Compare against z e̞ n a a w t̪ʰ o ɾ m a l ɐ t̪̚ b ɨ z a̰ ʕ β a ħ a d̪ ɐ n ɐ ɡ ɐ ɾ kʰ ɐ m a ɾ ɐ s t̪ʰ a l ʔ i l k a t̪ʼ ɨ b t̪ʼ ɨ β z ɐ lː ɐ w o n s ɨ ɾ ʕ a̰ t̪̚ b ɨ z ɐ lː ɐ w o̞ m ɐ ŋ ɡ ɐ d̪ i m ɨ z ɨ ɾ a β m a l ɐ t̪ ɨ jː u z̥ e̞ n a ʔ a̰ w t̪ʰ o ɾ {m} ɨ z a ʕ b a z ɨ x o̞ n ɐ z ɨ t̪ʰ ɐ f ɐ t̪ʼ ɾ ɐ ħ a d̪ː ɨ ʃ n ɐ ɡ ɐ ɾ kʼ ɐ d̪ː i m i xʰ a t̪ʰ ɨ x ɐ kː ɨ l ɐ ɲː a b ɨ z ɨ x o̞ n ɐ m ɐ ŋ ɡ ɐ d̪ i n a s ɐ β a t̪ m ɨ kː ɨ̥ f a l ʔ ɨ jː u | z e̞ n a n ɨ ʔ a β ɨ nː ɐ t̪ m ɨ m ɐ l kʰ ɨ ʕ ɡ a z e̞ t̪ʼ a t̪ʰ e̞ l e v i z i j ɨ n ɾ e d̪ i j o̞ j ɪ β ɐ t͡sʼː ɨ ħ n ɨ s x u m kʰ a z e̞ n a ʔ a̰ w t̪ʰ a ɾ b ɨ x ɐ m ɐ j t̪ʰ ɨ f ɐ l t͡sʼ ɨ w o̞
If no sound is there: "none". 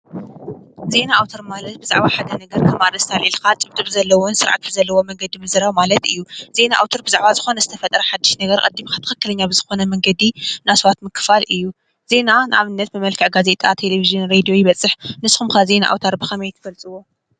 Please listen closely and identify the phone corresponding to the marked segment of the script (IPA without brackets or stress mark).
b